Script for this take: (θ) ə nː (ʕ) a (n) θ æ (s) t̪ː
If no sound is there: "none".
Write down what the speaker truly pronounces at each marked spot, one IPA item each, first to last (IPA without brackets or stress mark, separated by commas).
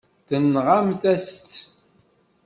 θ, ʁ, m, s